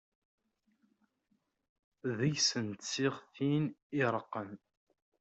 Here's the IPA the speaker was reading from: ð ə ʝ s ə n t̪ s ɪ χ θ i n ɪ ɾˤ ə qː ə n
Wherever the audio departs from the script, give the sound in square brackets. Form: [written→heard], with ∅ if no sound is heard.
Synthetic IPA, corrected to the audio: ð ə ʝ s ə n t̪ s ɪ [χ→ʁ] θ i n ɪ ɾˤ ə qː ə n